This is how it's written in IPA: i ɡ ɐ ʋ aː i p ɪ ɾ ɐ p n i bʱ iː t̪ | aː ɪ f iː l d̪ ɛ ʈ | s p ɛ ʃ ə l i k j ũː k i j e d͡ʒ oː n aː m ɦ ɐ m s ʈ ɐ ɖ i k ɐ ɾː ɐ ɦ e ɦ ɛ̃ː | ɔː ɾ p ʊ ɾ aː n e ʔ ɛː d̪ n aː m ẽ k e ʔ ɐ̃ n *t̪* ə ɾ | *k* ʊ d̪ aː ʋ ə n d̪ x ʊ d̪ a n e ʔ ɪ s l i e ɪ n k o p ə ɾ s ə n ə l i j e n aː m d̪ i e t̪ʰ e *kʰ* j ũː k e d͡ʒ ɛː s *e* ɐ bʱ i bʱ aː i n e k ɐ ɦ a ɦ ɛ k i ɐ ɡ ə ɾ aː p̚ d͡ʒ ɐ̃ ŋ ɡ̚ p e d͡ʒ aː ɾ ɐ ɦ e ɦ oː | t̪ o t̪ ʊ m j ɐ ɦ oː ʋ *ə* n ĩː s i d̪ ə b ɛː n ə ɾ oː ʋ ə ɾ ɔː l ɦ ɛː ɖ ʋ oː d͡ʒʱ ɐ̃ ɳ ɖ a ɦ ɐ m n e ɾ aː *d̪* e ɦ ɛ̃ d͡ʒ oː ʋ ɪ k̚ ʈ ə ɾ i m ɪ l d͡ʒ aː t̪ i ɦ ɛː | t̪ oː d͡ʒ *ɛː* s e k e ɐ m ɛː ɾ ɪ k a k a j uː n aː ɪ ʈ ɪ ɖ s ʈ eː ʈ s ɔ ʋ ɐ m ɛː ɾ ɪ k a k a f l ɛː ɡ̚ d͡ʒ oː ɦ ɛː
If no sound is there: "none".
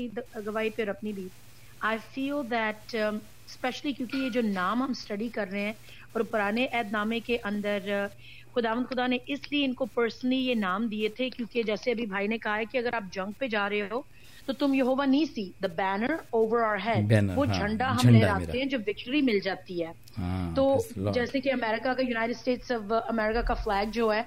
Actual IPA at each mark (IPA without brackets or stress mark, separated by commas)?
d̪, x, k, e, a, t̪, ɛː